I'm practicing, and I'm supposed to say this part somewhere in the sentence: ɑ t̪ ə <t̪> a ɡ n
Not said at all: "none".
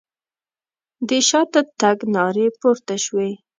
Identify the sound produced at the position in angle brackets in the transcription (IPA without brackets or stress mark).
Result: t̪